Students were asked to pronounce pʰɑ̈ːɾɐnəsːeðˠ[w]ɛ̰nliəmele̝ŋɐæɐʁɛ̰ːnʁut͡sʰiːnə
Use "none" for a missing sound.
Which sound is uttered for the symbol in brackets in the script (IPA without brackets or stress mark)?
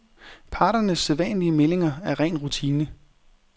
ʋ